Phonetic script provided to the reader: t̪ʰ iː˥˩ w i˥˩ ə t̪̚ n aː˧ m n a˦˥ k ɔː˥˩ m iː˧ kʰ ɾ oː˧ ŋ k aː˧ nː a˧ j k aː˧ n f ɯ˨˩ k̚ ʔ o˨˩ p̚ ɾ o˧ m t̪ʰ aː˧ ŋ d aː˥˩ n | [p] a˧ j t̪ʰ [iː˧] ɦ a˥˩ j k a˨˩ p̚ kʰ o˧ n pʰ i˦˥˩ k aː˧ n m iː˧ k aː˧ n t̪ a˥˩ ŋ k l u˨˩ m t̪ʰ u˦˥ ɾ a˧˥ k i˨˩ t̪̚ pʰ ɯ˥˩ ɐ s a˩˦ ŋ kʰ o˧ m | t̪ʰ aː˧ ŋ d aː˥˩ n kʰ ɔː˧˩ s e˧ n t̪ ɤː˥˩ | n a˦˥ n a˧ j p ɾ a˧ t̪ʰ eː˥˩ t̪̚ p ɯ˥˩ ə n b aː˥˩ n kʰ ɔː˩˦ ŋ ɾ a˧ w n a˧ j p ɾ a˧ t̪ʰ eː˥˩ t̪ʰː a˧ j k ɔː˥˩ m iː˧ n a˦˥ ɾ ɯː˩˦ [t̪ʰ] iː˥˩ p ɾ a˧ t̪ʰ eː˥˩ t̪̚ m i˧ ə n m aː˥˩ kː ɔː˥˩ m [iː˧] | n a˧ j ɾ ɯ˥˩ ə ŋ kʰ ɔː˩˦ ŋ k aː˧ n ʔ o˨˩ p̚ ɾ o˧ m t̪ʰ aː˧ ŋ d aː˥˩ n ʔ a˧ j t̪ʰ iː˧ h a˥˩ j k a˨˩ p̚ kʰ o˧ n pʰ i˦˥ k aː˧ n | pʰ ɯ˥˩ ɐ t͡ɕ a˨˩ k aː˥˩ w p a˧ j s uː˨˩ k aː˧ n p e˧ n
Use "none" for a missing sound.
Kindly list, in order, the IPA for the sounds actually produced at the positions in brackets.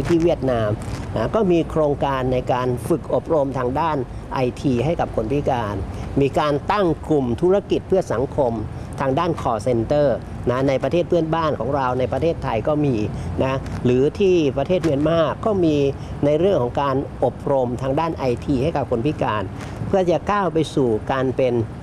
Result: ʔ, iː˧, t̪ʰ, iː˧

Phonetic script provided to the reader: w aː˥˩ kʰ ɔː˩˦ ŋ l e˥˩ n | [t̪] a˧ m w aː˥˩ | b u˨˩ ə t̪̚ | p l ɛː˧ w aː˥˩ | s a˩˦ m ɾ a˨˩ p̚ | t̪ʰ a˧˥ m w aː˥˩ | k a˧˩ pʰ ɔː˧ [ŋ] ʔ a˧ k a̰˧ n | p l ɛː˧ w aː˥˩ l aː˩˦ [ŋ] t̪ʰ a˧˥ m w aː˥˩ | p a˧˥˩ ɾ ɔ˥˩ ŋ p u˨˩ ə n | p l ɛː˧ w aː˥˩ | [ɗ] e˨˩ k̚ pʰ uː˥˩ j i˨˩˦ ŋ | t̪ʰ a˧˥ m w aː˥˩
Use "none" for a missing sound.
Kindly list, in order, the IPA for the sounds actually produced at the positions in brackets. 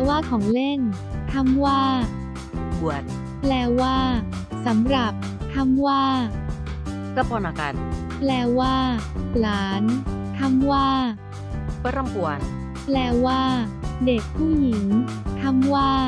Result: t̪ʰ, n, n, d

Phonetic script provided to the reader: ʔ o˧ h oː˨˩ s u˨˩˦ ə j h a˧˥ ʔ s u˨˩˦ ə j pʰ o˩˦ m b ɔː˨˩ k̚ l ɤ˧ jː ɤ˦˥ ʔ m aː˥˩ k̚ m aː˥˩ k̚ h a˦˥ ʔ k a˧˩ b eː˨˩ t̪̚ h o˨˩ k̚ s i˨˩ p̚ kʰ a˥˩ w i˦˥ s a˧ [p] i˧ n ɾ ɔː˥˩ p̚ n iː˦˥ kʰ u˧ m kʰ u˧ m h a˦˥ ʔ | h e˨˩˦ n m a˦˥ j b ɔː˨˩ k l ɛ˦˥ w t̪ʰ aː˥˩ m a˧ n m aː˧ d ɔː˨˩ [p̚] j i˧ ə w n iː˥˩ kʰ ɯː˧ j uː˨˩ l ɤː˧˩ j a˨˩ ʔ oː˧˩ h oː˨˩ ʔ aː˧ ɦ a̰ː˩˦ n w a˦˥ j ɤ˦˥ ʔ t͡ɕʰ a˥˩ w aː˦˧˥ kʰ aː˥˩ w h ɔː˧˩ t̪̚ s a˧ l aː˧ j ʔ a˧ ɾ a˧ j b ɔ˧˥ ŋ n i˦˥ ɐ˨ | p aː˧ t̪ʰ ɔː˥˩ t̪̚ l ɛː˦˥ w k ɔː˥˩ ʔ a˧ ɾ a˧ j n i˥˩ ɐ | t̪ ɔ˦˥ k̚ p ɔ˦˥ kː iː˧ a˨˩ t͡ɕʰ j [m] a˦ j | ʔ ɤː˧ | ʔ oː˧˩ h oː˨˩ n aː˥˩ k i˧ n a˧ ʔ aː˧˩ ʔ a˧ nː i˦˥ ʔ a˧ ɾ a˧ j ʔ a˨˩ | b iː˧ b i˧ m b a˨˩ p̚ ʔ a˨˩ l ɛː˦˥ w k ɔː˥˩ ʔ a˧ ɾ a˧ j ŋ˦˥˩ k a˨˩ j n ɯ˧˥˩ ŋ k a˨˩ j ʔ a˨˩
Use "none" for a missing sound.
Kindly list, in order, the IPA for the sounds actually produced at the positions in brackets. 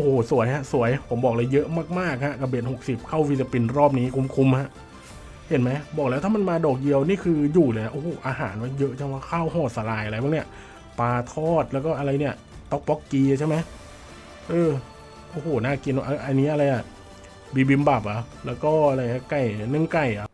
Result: p, k̚, m

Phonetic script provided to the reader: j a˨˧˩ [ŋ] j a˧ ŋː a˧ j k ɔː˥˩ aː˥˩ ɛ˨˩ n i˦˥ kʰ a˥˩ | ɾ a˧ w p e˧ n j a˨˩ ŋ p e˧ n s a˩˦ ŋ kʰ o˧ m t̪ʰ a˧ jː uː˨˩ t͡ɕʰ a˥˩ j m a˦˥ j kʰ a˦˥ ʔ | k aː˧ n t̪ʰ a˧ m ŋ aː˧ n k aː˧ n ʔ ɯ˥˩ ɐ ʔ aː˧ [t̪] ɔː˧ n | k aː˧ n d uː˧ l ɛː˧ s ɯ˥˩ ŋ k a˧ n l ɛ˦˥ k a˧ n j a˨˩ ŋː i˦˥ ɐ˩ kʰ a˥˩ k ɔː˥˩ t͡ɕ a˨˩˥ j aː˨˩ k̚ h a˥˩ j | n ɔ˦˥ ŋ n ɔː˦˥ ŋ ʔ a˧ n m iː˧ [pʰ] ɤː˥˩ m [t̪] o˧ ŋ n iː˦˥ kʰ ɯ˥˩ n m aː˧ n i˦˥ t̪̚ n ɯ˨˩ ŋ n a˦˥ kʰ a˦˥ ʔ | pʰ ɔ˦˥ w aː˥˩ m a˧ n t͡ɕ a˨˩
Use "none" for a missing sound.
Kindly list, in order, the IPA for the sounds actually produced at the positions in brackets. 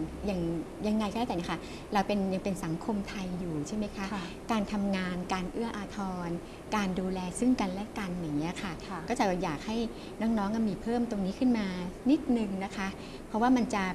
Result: ŋ, t̪ʰ, pʰ, t̪

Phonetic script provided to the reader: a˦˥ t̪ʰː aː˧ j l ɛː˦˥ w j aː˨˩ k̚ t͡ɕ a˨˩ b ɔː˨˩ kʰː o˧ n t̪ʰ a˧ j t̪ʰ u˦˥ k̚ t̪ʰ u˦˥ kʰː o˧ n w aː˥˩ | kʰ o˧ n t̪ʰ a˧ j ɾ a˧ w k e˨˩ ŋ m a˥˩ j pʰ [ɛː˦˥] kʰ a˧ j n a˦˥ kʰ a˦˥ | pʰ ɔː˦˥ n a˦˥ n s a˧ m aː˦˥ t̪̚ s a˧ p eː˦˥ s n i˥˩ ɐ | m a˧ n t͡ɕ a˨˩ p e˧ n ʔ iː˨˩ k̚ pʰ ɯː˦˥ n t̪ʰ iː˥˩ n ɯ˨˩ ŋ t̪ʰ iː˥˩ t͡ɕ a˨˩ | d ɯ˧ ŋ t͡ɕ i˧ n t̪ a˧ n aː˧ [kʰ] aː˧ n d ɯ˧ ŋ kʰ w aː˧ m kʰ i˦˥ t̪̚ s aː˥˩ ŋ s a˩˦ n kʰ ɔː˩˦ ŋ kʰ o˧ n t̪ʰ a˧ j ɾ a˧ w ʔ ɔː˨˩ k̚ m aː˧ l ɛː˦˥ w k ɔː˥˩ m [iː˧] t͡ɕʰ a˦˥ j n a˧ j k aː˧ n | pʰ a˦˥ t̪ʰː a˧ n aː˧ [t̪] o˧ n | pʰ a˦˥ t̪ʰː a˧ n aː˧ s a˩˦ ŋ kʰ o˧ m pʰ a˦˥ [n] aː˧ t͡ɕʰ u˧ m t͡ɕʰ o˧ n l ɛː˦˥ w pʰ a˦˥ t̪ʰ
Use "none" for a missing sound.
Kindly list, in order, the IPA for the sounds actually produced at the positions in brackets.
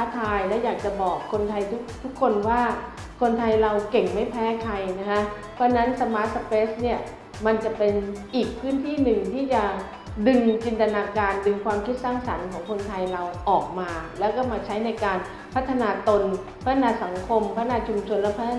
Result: ɛː˦˥, k, aː˧, t̪, n

